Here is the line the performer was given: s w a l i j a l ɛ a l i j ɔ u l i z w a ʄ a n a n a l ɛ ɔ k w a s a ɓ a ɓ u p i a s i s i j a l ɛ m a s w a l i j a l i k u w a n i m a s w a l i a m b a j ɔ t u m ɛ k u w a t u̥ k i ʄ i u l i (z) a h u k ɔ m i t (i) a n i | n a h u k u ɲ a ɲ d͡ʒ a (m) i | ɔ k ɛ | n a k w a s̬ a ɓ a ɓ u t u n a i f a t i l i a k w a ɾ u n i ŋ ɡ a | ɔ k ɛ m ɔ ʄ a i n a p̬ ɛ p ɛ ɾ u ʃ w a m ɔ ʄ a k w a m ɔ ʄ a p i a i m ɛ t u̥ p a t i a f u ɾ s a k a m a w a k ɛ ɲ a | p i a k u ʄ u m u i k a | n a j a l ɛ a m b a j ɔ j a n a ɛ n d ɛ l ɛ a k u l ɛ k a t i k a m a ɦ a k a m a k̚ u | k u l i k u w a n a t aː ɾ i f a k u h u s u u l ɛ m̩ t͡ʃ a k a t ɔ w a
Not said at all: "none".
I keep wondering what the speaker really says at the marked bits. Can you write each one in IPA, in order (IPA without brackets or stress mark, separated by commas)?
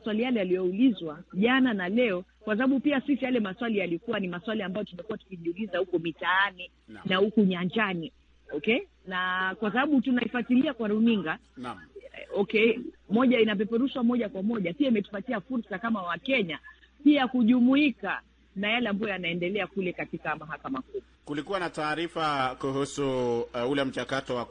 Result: z, a, n